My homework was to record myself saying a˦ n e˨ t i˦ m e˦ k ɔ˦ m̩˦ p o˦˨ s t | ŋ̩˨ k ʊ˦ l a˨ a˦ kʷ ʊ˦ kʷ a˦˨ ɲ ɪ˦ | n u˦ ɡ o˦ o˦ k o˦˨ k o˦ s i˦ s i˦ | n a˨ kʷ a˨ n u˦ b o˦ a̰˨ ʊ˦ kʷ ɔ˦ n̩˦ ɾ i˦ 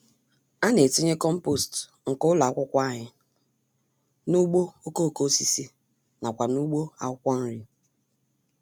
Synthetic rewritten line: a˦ n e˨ t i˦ ɲ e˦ k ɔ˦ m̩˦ p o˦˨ s t | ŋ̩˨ k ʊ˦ l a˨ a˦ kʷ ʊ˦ kʷ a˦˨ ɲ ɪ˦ | n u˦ ɡ͡b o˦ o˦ k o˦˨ k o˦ s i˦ s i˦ | n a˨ kʷ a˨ n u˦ ɡ͡b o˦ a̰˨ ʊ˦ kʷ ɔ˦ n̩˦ ɾ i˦